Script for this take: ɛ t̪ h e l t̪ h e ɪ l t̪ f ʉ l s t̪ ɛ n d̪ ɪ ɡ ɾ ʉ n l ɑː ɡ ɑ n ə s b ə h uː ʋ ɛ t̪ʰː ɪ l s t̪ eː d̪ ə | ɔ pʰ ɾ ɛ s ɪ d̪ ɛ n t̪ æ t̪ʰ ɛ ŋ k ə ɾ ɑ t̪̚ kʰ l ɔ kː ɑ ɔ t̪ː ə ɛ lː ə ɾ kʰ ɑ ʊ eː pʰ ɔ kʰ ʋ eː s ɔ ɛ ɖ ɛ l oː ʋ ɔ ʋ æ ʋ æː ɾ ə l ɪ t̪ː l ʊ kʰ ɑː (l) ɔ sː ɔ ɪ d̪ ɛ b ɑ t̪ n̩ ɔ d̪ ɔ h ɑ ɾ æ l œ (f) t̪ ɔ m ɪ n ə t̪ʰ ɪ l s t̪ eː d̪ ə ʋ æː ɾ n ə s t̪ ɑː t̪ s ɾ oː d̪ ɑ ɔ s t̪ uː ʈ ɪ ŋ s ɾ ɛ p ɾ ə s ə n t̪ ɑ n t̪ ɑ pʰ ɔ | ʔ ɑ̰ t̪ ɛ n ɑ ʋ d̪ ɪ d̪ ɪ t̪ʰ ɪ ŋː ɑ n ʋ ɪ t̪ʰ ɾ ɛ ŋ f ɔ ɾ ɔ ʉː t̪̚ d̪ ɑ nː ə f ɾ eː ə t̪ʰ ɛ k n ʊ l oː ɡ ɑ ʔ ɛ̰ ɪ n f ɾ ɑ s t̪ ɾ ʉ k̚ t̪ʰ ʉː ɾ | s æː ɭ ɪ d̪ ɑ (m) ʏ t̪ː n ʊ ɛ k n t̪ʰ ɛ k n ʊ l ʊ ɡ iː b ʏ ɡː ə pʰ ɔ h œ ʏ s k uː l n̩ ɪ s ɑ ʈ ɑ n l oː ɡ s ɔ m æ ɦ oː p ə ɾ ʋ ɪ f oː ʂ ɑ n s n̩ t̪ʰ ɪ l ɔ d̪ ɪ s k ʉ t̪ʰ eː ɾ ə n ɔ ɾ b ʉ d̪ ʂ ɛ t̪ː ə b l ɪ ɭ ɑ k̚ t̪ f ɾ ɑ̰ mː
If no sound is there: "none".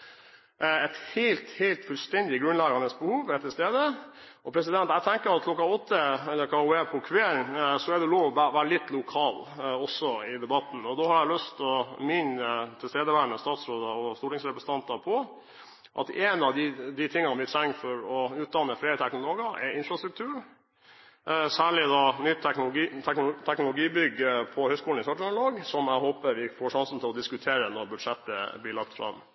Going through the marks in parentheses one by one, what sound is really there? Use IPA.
l, s, n

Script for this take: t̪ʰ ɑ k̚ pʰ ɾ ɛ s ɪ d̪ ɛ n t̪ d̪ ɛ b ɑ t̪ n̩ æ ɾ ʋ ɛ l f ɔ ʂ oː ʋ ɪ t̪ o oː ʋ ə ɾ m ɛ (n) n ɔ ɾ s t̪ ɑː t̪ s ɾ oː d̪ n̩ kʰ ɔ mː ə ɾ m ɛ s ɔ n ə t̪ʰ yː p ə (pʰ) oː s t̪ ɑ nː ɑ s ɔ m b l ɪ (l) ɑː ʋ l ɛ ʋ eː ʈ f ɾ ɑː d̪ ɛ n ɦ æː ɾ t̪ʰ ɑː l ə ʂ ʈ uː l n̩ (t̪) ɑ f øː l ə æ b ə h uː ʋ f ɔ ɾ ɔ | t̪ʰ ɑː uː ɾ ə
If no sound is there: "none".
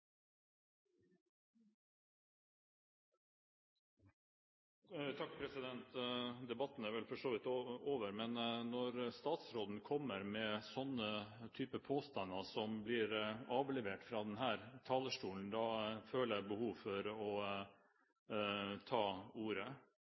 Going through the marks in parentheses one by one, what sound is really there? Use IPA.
n, pʰ, ɾ, d̪

